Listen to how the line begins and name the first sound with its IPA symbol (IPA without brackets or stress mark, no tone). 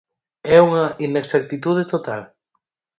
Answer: ɛ